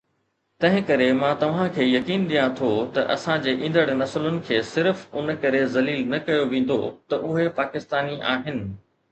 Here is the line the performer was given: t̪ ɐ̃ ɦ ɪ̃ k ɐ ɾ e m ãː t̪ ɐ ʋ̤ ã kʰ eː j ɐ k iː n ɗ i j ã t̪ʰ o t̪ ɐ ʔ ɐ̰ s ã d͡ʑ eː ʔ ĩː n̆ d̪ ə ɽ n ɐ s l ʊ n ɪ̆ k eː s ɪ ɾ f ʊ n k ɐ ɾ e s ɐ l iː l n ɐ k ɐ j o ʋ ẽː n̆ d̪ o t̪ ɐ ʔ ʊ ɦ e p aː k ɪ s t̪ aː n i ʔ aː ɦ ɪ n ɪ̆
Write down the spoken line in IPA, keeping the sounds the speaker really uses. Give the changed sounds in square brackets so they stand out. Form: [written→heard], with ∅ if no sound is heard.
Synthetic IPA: t̪ ɐ̃ ɦ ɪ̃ k ɐ ɾ e m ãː t̪ ɐ ʋ̤ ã kʰ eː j ɐ k iː n ɗ i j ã t̪ʰ o t̪ ɐ ʔ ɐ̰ s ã d͡ʑ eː ʔ ĩː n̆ d̪ ə ɽ n ɐ s l ʊ n ɪ̆ [k→kʰ] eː s ɪ ɾ f ʊ n k ɐ ɾ e [s→z] ɐ l iː l n ɐ k ɐ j o ʋ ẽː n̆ d̪ o t̪ ɐ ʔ ʊ ɦ e p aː k ɪ s t̪ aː n i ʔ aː ɦ ɪ n ɪ̆